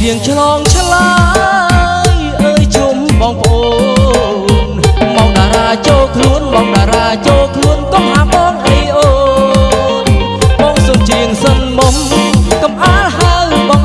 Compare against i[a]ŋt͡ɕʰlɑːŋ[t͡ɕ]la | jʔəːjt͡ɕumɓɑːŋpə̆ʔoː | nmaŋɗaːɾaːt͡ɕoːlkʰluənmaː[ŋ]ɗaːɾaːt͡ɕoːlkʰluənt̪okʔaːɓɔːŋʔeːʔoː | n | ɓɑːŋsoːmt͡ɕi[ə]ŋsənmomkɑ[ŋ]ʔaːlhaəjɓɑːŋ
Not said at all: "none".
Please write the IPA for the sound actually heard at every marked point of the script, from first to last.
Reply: ə, t͡ɕʰ, ŋ, ə, m

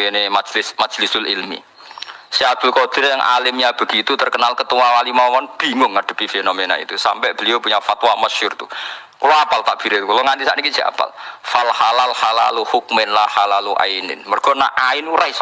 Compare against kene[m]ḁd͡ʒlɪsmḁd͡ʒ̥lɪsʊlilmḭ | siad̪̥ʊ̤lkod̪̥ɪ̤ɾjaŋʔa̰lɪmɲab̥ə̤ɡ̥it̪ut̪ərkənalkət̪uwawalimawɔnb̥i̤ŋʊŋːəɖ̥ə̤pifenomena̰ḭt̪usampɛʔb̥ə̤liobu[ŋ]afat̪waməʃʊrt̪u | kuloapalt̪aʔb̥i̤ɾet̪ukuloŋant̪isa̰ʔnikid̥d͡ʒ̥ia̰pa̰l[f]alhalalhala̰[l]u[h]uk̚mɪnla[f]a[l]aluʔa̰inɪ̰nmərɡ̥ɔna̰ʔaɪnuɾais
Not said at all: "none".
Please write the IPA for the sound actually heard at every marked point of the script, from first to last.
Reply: m, ɲ, f, l, h, h, l

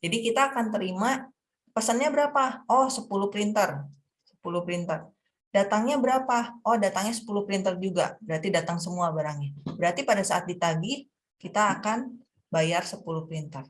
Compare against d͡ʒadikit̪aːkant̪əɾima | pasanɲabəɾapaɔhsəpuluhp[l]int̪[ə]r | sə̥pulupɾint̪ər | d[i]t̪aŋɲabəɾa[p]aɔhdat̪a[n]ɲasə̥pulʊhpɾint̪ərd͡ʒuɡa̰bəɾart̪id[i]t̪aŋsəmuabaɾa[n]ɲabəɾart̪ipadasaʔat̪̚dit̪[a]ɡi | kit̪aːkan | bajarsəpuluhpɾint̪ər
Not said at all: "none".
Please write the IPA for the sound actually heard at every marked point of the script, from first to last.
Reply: ɾ, ə, a, p, ŋ, a, ŋ, a

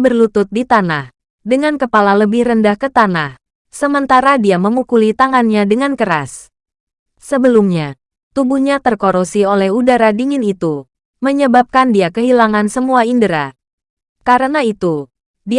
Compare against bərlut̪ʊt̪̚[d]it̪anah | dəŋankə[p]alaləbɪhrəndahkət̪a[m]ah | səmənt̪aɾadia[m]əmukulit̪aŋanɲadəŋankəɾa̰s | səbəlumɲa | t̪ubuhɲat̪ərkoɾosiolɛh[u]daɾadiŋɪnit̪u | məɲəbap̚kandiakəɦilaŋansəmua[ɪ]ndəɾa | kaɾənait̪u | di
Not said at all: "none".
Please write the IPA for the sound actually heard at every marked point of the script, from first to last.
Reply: d, p, n, m, u, i

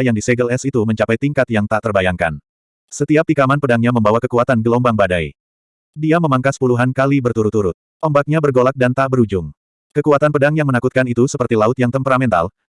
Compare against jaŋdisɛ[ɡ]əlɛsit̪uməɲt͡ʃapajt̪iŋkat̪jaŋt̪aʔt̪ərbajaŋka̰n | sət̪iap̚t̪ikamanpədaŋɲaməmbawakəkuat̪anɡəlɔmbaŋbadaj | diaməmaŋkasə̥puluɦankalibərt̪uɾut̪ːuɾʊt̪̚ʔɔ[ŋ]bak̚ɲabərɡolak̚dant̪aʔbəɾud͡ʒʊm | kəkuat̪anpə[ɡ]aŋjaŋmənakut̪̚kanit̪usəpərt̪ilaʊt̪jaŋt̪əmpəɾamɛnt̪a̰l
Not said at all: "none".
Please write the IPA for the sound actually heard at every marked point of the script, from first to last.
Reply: ɡ, m, d

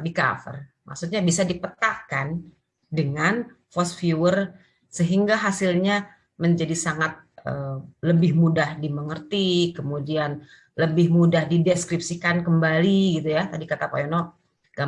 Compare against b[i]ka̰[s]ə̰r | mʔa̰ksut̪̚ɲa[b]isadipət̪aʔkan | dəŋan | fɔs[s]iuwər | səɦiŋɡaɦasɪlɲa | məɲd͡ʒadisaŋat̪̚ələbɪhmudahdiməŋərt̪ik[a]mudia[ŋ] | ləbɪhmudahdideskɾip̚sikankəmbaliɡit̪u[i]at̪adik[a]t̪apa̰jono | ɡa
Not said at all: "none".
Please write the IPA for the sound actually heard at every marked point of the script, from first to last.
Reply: i, f, b, f, ə, n, j, a

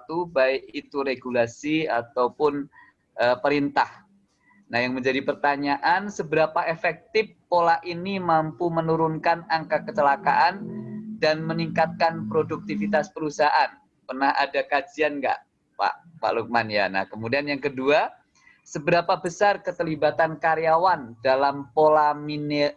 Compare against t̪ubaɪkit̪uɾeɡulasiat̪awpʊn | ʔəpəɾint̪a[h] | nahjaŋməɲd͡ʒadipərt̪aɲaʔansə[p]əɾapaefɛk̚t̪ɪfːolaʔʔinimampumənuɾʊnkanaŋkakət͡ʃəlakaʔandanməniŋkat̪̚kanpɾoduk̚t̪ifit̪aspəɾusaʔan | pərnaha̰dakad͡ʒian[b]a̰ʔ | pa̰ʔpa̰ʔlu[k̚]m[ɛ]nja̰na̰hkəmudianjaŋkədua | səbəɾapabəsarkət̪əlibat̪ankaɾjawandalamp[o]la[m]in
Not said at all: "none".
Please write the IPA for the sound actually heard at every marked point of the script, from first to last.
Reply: h, b, ɡ, k̚, a, o, m

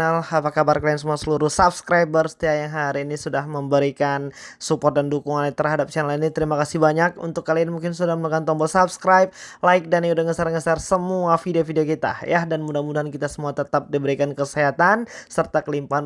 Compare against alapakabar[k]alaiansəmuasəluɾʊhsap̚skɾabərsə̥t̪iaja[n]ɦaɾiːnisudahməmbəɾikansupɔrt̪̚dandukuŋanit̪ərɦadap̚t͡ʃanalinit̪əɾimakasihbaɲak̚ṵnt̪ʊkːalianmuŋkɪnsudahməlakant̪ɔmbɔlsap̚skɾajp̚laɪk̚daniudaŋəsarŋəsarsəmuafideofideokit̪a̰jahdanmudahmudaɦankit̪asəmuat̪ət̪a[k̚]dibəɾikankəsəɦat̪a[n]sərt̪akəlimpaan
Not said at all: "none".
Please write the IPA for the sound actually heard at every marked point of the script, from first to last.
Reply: k, ŋ, p̚, n

